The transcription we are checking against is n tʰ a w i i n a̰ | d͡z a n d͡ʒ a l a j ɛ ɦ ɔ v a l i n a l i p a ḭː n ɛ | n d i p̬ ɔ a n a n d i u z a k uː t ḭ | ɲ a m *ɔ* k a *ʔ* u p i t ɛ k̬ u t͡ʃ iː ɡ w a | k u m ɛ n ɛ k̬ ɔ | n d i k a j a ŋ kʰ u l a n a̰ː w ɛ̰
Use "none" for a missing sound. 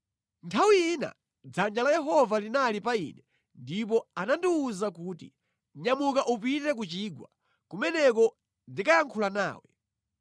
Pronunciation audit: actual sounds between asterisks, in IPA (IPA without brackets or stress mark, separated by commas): u, ʔ